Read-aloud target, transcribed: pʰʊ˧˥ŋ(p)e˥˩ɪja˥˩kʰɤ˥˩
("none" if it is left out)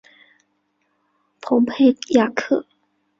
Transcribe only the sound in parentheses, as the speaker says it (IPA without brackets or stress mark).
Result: pʰ